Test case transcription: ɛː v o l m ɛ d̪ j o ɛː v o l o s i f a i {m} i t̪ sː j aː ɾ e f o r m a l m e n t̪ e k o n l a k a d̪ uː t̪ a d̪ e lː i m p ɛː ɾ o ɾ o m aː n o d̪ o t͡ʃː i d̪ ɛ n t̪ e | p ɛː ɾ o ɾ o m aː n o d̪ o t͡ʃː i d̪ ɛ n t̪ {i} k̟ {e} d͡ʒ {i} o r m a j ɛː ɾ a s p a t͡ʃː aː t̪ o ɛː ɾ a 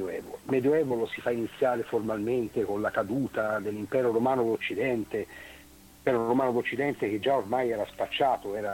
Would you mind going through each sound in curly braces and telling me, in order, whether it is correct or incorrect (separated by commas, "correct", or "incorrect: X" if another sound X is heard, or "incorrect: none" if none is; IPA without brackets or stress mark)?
incorrect: n, incorrect: e, correct, incorrect: a